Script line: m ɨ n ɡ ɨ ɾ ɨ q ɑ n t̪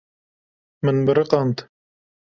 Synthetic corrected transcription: m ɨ n b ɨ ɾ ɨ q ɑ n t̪